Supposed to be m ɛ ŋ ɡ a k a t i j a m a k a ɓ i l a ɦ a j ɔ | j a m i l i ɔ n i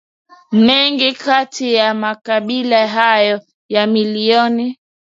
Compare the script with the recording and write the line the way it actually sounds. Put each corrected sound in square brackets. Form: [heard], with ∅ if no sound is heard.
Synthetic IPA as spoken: m ɛ ŋ ɡ [i] k a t i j a m a k a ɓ i l a ɦ a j ɔ | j a m i l i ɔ n i